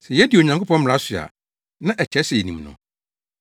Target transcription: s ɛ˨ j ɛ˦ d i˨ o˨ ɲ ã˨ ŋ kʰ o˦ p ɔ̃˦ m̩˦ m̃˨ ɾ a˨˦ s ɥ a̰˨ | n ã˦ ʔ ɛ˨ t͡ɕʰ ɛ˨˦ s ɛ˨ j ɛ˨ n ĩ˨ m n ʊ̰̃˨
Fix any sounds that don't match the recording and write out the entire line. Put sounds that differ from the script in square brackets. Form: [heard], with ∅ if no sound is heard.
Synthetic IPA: s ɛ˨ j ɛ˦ d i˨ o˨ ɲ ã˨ ŋ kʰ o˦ p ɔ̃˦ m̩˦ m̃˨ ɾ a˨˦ s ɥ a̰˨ | n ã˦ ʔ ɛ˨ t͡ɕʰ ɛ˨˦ s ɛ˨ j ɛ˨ n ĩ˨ m n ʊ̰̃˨